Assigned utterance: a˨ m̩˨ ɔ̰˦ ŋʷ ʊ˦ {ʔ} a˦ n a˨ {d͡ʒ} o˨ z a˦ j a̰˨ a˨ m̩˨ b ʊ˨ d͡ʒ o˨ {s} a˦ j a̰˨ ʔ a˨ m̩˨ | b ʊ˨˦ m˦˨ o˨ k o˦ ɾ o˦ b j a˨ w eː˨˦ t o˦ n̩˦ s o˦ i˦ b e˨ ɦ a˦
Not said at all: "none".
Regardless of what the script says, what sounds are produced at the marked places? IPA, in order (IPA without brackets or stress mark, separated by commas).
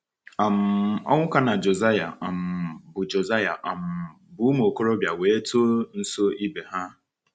k, d͡ʒ, z